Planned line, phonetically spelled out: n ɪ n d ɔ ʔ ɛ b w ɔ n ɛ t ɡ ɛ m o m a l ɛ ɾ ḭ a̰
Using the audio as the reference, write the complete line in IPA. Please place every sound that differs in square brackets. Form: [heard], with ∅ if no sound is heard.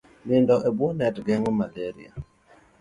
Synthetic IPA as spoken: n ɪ n d ɔ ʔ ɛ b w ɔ n ɛ t ɡ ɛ [ŋ] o m a l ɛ ɾ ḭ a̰